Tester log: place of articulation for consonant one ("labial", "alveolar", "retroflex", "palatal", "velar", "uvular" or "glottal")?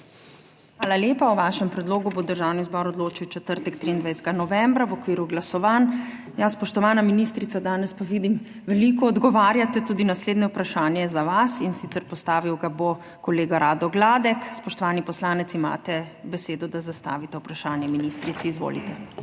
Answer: velar